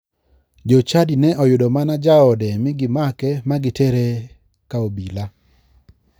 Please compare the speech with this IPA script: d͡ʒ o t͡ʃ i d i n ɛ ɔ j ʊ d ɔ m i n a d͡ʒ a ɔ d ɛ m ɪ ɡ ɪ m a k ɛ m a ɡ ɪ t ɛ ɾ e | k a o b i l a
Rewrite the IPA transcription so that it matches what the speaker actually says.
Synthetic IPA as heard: d͡ʒ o t͡ʃ a d i n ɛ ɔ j ʊ d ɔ m a n a d͡ʒ a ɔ d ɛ m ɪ ɡ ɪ m a k ɛ m a ɡ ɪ t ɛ ɾ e | k a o b i l a